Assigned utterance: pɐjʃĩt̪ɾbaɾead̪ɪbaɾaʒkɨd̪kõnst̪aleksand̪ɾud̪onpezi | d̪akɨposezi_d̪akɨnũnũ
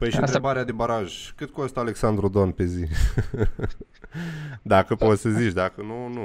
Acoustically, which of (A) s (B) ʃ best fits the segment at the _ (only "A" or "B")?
B